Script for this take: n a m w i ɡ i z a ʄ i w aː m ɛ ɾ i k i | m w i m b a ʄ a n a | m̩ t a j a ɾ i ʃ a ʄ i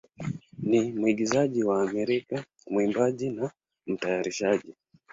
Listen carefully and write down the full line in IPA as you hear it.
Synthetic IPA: n i m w i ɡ i z a ʄ i w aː m ɛ ɾ i k a | m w i m b a ʄ i n a | m̩ t a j a ɾ i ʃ a ʄ i